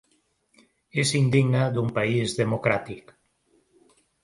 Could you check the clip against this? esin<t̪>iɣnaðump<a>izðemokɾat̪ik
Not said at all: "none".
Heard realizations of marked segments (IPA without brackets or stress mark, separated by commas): d̪, a